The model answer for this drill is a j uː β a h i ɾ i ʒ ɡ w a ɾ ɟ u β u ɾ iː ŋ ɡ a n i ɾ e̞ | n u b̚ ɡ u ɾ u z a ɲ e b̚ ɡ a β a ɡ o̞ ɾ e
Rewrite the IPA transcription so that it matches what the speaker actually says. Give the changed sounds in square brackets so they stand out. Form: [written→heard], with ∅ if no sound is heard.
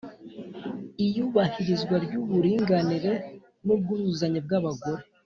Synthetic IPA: [a→i] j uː β a h i ɾ i [ʒ→z] ɡ w a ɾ ɟ u β u ɾ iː ŋ ɡ a n i ɾ e̞ | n u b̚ ɡ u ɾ u z a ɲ e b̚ ɡ a β a ɡ o̞ ɾ e